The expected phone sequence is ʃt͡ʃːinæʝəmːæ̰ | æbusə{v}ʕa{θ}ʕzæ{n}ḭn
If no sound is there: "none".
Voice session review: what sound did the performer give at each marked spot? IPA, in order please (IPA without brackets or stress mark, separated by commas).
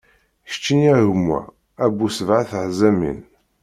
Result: v, θ, m